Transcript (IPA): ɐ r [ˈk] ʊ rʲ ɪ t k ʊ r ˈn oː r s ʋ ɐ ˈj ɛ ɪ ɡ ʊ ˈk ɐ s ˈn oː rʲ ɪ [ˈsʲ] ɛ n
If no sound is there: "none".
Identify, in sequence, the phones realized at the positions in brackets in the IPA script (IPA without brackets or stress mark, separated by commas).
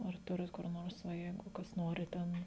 t, tʲ